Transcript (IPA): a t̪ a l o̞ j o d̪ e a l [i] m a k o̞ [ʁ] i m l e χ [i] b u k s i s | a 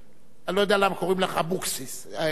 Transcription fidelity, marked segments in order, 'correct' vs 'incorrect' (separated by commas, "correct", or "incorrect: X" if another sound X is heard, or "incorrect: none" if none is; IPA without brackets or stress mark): incorrect: a, correct, incorrect: a